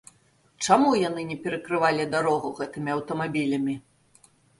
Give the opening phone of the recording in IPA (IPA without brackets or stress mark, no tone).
t͡ʂ